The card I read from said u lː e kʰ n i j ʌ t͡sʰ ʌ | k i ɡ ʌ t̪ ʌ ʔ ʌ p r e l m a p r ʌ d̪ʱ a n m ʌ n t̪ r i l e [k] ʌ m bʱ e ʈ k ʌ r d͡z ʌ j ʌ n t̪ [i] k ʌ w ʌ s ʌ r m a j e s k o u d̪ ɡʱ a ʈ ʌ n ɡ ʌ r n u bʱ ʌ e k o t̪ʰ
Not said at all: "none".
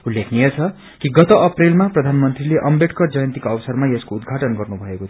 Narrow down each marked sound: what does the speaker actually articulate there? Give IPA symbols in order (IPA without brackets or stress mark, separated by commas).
ʔ, i